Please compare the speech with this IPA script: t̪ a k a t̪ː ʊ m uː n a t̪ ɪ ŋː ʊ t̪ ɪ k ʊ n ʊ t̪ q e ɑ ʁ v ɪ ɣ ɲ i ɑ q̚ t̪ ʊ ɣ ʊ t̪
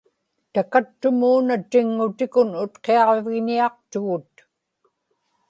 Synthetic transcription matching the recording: t̪ a k a t̪ː ʊ m uː n a t̪ ɪ ŋː ʊ t̪ ɪ k ʊ n ʊ t̪ q e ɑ ʁ v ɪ ɣ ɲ i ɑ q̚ t̪ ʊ ɣ ʊ t̪